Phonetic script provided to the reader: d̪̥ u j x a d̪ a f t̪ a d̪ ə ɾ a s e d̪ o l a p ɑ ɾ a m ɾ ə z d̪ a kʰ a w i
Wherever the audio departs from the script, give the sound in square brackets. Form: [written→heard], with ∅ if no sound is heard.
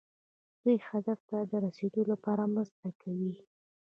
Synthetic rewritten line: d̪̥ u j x a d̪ a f t̪ a d̪ ə ɾ a s e d̪ o l a p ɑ ɾ a m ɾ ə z [d̪→t̪] a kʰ a w i